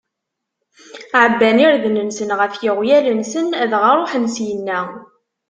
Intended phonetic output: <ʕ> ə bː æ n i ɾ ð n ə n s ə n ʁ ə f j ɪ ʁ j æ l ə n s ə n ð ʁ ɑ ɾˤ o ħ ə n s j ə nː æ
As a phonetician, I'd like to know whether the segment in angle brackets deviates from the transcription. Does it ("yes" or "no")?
no